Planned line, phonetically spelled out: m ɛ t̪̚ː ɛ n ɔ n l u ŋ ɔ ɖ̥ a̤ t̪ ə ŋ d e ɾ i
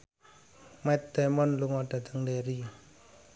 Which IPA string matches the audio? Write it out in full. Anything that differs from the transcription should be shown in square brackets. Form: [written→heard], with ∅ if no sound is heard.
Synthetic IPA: m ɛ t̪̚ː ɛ [n→m] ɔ n l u ŋ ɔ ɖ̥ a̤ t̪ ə ŋ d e ɾ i